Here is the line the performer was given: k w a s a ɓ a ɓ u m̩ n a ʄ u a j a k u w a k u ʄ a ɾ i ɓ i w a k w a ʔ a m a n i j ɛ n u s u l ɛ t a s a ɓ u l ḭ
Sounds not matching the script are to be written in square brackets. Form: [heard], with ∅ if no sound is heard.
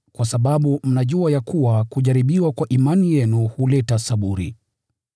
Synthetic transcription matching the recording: k w a s a ɓ a ɓ u m̩ n a ʄ u a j a k u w a k u ʄ a ɾ i ɓ i w a k w a ʔ [i] m a n i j ɛ n u [h] u l ɛ t a s a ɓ u [ɾ] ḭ